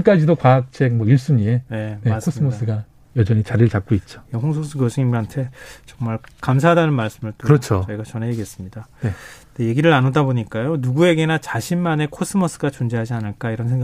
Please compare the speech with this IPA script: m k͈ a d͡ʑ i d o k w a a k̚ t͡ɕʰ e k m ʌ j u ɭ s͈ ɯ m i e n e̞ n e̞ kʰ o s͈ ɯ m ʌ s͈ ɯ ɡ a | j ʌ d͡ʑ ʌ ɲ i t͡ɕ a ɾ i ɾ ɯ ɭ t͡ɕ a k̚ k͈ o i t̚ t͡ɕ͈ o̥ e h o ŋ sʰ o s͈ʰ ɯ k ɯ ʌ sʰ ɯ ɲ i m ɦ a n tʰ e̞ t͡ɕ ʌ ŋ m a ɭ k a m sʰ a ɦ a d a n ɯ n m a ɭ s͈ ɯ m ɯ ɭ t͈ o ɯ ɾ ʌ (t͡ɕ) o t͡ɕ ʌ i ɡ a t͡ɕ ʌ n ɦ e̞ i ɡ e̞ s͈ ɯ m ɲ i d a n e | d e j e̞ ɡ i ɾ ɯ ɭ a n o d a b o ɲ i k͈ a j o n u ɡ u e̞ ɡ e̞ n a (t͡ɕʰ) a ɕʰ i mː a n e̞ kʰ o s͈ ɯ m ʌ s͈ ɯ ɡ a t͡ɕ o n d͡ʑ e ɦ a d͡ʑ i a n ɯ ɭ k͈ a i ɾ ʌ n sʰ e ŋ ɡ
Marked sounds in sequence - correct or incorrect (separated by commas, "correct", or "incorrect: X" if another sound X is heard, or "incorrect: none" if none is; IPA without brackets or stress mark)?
incorrect: t͡ɕʰ, incorrect: t͡ɕ